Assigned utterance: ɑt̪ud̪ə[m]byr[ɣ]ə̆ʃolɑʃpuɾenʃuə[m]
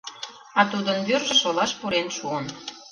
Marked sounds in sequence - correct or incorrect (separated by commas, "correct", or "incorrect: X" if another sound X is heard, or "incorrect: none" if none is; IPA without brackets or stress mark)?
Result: incorrect: n, incorrect: ʒ, incorrect: n